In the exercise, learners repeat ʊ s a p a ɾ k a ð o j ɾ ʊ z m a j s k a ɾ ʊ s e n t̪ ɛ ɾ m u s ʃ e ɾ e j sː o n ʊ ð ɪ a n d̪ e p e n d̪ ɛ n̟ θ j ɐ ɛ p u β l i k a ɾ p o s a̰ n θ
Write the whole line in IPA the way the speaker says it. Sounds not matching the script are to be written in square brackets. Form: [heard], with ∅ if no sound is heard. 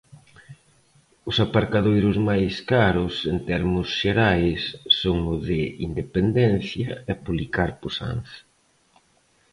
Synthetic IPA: ʊ s a p a ɾ k a ð o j ɾ ʊ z m a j s k a ɾ ʊ s e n t̪ ɛ ɾ m [ʊ] s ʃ e ɾ [a] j sː o [ŋ] ʊ ð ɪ [i] n d̪ e p e n d̪ ɛ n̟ θ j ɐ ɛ p u β l i k a ɾ p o s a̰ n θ